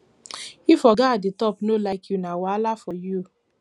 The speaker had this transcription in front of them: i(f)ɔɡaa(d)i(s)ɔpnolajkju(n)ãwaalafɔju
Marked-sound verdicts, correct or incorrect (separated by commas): correct, correct, incorrect, correct